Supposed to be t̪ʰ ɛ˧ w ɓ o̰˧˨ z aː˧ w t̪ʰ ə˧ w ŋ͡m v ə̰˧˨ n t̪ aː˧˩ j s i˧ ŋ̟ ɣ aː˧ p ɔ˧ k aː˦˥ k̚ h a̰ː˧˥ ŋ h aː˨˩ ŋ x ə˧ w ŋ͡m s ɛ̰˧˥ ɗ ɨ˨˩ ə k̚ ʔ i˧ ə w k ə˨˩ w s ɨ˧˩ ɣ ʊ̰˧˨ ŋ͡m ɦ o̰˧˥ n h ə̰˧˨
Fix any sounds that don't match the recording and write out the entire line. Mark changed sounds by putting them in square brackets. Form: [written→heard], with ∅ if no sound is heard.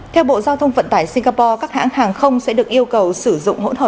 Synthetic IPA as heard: t̪ʰ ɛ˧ w ɓ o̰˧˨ z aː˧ w t̪ʰ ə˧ w ŋ͡m v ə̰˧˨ n t̪ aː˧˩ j s i˧ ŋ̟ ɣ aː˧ p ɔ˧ k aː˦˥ k̚ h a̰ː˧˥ ŋ h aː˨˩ ŋ x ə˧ w ŋ͡m s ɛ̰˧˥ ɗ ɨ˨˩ ə k̚ ʔ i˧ ə w k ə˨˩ w s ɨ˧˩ [ɣ→z] ʊ̰˧˨ ŋ͡m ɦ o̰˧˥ n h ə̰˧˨